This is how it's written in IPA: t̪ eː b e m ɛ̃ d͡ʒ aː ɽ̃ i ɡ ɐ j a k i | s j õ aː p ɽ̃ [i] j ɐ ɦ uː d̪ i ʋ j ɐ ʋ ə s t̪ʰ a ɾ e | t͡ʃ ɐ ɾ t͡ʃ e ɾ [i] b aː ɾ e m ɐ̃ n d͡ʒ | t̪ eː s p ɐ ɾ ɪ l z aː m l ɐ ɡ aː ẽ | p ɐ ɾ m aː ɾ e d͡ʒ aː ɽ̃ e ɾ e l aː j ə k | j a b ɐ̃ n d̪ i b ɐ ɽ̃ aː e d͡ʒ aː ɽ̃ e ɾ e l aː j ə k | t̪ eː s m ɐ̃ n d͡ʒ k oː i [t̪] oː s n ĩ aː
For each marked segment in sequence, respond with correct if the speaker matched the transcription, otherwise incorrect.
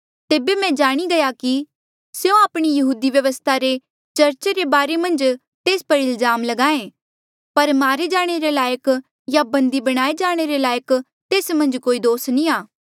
correct, incorrect: e, incorrect: d̪

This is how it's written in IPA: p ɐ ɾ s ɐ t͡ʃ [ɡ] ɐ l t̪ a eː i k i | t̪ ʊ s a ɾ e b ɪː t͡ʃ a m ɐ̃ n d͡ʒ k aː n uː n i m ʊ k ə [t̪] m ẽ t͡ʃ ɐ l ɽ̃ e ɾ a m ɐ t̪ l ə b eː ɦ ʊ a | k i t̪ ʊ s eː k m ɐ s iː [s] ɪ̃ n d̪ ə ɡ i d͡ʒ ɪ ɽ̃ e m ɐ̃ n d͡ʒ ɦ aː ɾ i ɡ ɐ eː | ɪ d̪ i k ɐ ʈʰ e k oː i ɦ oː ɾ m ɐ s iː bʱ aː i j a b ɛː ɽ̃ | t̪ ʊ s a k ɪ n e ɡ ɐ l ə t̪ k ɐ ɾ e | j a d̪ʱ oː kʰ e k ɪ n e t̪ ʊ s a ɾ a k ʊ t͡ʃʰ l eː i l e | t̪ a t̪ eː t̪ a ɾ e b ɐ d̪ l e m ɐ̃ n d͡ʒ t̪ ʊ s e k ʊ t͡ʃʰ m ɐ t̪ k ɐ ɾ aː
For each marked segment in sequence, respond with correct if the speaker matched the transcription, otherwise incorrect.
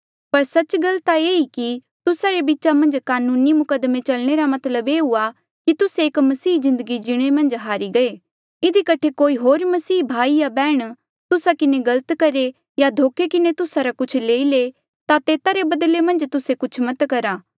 correct, incorrect: d̪, incorrect: z

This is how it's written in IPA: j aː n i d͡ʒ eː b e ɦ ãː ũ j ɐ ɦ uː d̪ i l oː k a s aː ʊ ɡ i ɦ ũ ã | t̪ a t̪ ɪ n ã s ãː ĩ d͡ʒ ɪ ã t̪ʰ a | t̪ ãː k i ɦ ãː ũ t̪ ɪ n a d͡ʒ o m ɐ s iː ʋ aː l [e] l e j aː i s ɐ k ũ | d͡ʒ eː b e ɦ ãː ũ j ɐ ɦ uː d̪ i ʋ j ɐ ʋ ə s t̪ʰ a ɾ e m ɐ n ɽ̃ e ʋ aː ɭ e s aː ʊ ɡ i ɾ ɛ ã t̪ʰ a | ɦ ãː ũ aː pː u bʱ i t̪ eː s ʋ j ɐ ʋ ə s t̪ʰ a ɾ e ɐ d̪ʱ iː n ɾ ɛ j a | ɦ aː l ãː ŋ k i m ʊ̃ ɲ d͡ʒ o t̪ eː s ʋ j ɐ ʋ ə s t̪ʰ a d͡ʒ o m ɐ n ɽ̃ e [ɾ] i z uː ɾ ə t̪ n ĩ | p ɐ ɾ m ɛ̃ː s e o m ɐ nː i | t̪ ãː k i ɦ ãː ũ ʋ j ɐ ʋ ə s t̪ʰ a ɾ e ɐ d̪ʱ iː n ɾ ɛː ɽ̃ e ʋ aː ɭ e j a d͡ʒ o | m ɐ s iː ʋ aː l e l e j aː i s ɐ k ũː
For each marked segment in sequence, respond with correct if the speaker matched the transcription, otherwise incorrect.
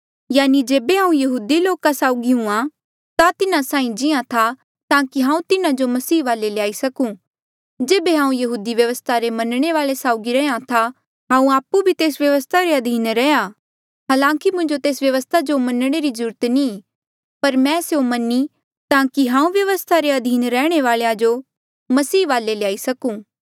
correct, correct

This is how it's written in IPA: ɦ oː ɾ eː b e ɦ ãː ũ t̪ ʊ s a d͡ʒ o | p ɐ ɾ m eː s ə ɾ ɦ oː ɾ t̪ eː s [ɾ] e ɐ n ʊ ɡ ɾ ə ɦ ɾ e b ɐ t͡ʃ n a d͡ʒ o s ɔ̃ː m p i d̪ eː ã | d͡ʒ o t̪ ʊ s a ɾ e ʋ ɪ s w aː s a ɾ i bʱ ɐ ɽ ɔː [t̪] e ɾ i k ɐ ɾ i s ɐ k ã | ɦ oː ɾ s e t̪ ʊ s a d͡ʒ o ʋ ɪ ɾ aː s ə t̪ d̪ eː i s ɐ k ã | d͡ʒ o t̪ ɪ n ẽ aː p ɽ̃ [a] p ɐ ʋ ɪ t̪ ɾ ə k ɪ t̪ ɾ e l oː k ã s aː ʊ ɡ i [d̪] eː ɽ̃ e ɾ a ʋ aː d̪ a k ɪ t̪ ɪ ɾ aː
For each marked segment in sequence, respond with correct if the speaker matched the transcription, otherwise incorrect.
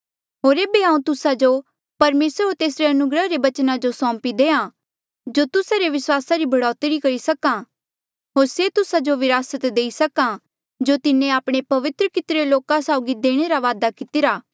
correct, correct, incorrect: e, correct

